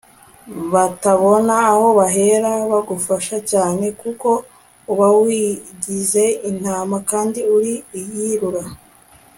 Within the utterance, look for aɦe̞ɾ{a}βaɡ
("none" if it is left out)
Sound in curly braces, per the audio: a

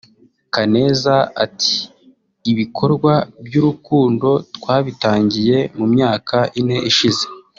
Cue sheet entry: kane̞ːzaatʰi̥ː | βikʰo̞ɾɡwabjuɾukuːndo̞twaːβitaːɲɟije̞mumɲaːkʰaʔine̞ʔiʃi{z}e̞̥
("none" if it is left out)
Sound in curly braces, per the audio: z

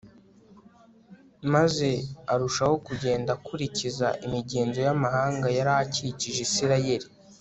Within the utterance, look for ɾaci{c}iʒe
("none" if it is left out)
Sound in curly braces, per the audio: c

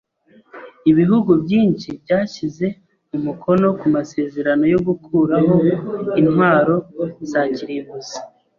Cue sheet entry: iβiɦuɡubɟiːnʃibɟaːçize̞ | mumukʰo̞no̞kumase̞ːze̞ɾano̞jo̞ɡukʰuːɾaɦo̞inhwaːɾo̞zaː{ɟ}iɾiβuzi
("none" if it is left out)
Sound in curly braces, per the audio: c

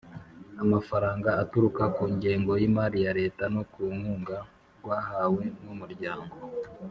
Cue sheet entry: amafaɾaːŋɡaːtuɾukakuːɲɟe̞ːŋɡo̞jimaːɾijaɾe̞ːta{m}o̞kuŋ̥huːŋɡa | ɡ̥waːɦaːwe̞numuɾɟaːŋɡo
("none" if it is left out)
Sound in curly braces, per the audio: n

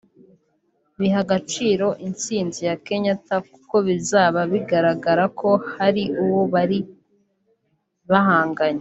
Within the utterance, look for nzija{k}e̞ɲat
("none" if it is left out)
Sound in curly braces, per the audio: k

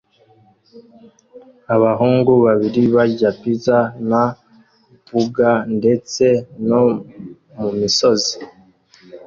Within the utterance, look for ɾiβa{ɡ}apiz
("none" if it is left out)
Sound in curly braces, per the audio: ɟ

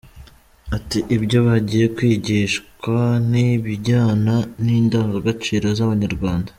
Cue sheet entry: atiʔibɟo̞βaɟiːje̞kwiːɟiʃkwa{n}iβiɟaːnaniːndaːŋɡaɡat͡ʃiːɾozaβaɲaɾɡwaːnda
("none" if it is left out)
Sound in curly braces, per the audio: n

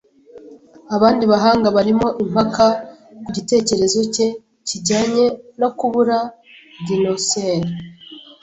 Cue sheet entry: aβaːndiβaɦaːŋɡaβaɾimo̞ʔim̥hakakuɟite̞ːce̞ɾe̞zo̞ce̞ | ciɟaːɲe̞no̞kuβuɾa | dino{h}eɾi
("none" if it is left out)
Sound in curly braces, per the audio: s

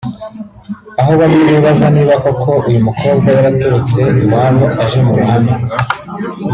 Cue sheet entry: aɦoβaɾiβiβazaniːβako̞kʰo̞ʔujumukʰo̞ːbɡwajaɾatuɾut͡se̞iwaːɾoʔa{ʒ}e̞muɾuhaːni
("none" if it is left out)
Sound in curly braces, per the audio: ʒ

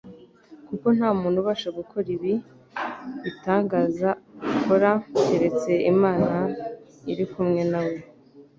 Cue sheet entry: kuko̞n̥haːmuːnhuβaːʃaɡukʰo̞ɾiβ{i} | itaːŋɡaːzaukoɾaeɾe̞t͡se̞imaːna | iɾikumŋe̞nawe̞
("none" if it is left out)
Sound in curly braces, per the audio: i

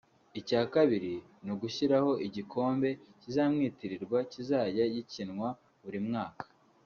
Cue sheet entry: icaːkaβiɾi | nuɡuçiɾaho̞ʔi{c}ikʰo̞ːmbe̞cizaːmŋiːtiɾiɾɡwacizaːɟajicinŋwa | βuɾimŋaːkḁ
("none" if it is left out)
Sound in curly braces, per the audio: ɟ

